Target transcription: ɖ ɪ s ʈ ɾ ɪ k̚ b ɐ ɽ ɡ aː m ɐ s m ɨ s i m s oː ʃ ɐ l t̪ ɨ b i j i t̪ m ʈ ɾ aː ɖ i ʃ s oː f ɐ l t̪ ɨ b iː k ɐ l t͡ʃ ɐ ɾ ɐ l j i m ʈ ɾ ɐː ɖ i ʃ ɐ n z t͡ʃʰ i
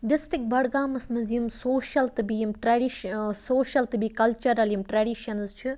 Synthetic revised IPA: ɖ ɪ s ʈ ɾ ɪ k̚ b ɐ ɽ ɡ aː m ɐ s m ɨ z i m s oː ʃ ɐ l t̪ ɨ b i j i m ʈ ɾ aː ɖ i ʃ s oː ʃ ɐ l t̪ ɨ b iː k ɐ l t͡ʃ ɐ ɾ ɐ l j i m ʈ ɾ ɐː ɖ i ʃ ɐ n z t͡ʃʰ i